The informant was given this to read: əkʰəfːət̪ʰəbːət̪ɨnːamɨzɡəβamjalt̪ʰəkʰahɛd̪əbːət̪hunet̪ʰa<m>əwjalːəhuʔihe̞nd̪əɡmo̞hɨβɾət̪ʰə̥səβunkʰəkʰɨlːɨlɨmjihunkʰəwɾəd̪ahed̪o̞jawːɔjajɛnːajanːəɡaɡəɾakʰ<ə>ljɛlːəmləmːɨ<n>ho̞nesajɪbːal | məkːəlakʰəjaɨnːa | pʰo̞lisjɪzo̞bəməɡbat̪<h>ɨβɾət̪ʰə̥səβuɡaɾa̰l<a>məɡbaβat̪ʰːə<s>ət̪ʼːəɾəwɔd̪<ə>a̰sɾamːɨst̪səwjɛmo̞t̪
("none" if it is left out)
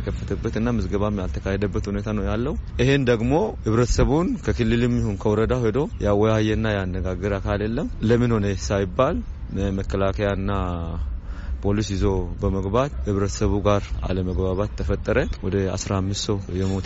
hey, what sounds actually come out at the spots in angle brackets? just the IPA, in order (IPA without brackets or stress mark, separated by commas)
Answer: n, a, n, h, ə, f, ə